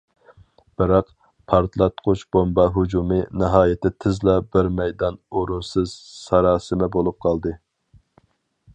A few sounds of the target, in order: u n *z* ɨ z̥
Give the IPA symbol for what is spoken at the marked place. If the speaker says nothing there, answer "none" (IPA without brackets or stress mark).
s